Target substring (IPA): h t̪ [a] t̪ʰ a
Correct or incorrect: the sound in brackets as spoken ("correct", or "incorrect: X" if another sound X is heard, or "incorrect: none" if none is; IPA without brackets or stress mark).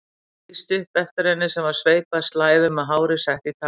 incorrect: i